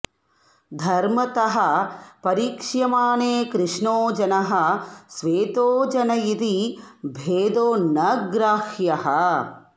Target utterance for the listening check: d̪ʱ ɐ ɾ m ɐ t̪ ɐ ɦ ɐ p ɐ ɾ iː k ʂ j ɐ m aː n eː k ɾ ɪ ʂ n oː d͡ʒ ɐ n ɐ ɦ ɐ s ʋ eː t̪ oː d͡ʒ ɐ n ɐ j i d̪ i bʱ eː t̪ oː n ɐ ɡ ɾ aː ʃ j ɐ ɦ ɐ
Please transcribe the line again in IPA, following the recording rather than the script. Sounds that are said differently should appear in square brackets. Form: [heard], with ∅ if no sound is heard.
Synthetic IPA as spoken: d̪ʱ ɐ ɾ m ɐ t̪ ɐ ɦ ɐ p ɐ ɾ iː k ʂ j ɐ m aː n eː k ɾ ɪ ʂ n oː d͡ʒ ɐ n ɐ ɦ ɐ s ʋ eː t̪ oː d͡ʒ ɐ n ɐ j i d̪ i bʱ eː [d̪] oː n ɐ ɡ ɾ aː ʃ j ɐ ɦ ɐ

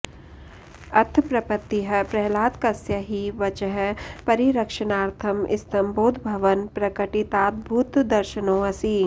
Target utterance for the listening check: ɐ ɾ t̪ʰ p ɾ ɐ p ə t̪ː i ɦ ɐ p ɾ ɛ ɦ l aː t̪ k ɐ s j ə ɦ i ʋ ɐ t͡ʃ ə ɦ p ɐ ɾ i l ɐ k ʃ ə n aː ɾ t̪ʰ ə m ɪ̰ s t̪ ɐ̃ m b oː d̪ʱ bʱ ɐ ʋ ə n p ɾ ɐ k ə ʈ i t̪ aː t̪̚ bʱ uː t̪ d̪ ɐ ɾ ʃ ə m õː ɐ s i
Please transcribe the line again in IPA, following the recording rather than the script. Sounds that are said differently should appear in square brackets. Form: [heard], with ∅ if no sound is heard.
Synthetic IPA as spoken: ɐ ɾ t̪ʰ p ɾ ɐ p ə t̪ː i ɦ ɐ p ɾ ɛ ɦ l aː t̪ k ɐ s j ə ɦ i ʋ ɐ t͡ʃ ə ɦ p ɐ ɾ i [ɾ] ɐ k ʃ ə n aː ɾ t̪ʰ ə m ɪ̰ s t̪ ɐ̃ m b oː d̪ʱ bʱ ɐ ʋ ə n p ɾ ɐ k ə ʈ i t̪ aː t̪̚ bʱ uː t̪ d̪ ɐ ɾ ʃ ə [n] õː ɐ s i

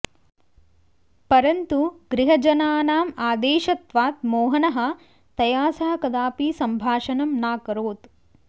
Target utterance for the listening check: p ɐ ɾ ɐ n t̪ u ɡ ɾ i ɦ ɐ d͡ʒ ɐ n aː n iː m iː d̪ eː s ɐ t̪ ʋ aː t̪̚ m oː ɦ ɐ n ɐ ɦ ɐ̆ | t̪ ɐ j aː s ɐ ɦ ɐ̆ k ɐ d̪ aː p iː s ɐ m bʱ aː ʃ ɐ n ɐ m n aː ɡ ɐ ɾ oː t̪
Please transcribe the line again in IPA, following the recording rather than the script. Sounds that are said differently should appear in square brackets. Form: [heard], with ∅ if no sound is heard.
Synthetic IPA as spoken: p ɐ ɾ ɐ n t̪ u ɡ ɾ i ɦ ɐ d͡ʒ ɐ n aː n [aː] m [aː] d̪ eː [ʃ] ɐ t̪ ʋ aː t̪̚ m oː ɦ ɐ n ɐ ɦ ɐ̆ | t̪ ɐ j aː s ɐ ɦ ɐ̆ k ɐ d̪ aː p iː s ɐ m bʱ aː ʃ ɐ n ɐ m n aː [k] ɐ ɾ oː t̪

